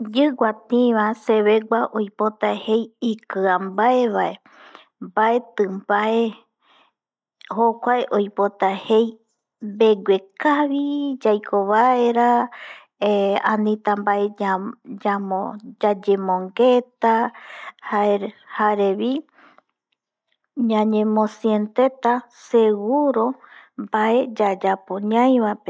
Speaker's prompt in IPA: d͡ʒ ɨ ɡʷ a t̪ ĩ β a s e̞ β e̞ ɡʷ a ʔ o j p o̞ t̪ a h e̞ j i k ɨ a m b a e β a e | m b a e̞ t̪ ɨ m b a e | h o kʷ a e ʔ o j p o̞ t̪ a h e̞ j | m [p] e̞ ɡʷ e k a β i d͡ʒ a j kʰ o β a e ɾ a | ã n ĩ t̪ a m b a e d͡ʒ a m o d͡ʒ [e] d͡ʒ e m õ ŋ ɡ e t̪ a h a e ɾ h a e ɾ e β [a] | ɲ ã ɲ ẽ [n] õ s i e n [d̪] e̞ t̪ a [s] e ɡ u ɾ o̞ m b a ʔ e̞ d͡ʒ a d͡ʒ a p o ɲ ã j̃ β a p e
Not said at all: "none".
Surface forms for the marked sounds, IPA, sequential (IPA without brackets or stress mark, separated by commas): b, a, i, m, t̪, s